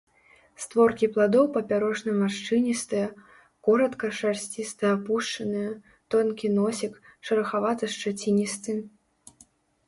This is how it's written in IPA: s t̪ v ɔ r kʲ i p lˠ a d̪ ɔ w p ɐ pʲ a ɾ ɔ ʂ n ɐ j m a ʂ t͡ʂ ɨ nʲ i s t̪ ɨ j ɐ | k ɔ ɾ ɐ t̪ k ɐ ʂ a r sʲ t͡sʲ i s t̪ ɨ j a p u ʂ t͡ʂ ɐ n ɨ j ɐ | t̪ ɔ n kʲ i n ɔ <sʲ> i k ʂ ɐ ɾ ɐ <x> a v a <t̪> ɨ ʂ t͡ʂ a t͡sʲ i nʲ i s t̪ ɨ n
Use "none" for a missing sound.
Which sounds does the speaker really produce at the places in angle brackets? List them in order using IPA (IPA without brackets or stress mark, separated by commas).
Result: sʲ, x, t̪